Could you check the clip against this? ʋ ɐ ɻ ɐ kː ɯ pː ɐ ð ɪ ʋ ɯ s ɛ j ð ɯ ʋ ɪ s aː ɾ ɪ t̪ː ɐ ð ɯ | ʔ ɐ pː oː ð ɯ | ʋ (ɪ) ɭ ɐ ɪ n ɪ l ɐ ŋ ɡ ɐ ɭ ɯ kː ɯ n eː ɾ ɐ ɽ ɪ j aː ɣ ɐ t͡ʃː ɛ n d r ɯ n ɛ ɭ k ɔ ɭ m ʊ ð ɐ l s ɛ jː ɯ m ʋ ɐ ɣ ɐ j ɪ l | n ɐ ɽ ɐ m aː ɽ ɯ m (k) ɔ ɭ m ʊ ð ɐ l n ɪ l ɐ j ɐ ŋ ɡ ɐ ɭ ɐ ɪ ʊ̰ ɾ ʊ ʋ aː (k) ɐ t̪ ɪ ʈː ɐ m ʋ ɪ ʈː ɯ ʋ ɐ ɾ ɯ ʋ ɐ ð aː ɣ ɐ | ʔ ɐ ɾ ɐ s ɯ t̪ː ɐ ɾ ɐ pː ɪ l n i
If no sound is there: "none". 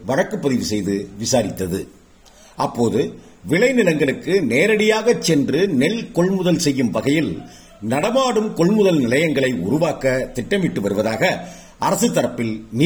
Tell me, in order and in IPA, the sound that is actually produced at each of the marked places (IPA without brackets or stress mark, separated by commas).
ɪ, k, k